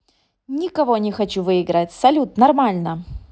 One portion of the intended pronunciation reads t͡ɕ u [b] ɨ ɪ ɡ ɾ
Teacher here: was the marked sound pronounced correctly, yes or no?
no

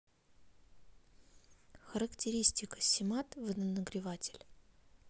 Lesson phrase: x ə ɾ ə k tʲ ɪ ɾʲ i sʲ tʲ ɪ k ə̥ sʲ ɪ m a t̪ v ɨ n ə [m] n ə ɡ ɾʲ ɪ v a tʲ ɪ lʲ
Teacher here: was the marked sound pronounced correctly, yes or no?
no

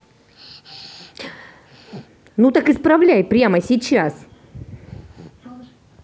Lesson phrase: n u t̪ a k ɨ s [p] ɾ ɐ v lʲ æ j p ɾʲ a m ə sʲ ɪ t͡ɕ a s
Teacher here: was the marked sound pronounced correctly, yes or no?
yes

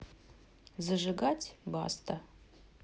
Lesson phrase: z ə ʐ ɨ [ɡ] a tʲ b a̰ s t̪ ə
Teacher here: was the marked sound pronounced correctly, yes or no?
yes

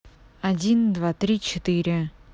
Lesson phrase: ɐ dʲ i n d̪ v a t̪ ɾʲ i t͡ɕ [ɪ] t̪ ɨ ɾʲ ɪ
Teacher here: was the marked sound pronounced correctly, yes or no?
yes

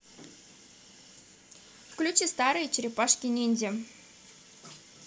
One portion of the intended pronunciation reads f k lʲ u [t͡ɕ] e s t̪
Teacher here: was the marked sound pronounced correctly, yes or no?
yes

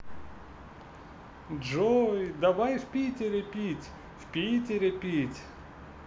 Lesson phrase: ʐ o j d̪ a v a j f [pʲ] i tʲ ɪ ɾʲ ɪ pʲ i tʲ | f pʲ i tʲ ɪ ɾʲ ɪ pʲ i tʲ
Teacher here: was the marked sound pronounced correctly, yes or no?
yes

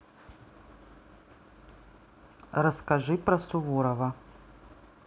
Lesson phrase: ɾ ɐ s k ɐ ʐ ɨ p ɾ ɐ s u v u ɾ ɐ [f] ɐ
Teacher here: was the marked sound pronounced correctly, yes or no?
no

